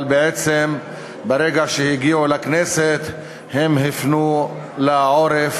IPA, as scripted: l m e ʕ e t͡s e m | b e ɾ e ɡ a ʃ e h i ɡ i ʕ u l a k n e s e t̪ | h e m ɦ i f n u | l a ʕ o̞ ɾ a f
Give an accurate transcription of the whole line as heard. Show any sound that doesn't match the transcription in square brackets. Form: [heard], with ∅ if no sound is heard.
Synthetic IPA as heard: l [b] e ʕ e t͡s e m | b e ɾ e ɡ a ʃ e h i ɡ i ʕ u l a k n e s e t̪ | h e m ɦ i f n u | l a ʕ o̞ ɾ [e] f